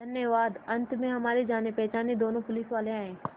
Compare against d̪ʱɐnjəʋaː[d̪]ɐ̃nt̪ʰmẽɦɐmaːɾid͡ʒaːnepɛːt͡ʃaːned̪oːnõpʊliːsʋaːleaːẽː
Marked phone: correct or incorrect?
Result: correct